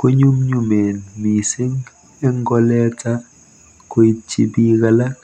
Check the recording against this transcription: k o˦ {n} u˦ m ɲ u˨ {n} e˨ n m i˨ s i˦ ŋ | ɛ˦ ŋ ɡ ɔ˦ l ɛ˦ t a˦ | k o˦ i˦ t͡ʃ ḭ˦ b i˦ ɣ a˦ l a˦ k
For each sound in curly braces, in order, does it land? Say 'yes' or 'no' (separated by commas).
no, no